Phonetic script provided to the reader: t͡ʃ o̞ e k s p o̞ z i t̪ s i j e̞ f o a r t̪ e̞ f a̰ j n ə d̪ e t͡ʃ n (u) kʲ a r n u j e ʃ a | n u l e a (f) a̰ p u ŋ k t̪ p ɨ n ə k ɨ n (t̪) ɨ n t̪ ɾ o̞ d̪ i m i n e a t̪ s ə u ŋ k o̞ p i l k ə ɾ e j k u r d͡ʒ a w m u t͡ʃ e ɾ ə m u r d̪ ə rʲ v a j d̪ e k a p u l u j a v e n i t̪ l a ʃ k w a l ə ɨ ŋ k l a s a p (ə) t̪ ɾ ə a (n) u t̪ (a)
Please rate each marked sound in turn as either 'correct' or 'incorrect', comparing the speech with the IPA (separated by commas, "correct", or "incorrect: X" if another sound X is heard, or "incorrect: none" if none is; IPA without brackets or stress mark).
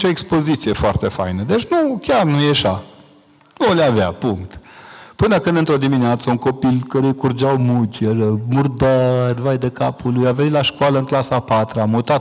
correct, incorrect: v, incorrect: d̪, incorrect: a, incorrect: m, correct